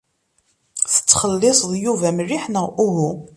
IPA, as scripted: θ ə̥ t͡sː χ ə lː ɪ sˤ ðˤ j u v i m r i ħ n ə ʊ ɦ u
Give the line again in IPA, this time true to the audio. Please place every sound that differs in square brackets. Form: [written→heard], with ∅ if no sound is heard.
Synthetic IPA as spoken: θ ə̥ t͡sː χ ə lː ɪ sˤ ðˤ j u v [i→æ] m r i ħ n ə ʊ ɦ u